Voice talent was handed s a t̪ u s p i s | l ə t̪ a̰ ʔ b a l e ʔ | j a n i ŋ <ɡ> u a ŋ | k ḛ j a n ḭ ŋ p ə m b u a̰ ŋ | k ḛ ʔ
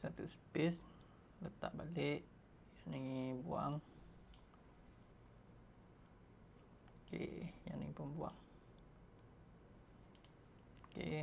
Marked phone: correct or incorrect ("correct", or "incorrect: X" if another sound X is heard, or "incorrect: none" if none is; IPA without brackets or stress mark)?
incorrect: b